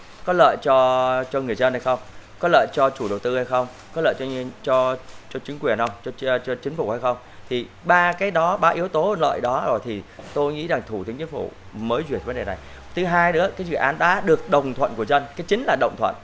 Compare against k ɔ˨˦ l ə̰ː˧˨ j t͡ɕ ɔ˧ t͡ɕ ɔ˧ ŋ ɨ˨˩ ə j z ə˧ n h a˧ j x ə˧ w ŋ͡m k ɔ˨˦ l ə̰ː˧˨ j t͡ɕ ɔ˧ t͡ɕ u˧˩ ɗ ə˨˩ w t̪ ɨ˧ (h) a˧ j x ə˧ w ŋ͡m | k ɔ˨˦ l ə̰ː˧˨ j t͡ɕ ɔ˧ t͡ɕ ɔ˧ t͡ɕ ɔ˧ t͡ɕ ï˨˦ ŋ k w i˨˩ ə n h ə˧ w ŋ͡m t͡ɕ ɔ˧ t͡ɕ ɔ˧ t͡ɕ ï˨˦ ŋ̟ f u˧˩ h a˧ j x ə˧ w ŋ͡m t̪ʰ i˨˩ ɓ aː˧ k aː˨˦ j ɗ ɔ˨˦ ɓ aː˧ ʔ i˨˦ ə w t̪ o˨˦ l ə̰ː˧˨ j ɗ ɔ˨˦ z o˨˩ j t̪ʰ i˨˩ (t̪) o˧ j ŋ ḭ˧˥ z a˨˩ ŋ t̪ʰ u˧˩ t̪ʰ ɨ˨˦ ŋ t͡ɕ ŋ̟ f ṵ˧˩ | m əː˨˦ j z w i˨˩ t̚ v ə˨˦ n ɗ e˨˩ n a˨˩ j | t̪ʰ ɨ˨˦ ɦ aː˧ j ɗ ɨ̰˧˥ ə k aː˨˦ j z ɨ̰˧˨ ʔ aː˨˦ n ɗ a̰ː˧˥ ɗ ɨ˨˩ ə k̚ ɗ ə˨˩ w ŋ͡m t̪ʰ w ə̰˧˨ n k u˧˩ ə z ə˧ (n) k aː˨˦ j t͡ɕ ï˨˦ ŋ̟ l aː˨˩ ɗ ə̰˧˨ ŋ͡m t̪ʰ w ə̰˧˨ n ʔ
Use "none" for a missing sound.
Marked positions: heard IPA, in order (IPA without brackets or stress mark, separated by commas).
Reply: h, t̪, n